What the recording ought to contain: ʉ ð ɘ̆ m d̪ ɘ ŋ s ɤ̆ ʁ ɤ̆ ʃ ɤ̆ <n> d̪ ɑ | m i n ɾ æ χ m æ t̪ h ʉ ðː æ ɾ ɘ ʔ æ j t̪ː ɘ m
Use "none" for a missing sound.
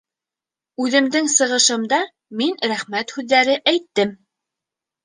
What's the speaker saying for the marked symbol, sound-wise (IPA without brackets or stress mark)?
m